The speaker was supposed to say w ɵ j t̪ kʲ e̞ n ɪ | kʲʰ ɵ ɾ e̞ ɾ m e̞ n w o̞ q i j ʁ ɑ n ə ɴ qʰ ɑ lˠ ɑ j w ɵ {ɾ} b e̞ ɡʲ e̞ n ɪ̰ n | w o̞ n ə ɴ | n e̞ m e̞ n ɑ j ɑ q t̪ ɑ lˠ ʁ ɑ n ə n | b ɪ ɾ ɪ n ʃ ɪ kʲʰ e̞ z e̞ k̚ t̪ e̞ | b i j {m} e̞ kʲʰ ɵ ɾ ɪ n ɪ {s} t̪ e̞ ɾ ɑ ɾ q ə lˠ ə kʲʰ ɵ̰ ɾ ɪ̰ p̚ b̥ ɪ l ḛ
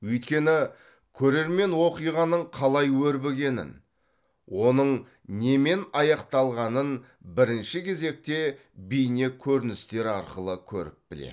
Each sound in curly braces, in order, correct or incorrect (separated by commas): correct, incorrect, correct